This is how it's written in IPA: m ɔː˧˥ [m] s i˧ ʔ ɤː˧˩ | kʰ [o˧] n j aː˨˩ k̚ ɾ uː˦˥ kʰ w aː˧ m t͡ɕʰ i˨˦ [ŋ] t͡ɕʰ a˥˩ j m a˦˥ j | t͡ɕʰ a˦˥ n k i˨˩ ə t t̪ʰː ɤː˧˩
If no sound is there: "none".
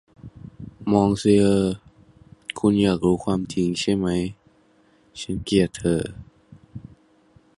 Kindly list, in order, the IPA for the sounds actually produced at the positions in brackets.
ŋ, u˧, ŋ

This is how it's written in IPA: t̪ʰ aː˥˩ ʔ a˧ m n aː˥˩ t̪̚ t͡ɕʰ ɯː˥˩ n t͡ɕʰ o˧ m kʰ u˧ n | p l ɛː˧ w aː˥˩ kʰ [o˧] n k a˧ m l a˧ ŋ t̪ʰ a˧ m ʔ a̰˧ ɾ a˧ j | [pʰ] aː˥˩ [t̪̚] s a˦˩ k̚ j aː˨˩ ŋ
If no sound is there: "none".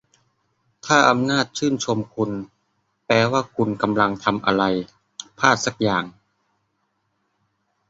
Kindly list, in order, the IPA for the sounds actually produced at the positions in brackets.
u˧, pʰ, t̪̚

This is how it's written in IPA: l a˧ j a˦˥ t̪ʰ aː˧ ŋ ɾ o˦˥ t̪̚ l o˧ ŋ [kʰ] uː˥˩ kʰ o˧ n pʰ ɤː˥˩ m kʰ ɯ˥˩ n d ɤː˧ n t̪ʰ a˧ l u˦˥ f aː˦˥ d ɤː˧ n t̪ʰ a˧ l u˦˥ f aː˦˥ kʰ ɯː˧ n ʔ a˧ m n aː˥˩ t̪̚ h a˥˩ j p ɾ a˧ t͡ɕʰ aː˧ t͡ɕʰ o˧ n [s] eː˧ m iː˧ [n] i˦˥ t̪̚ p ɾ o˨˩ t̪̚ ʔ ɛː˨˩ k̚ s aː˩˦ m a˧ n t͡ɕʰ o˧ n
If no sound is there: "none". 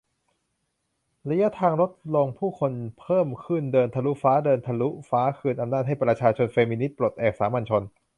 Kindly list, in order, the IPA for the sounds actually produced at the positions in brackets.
pʰ, f, n

